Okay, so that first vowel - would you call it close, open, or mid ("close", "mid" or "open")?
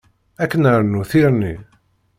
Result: open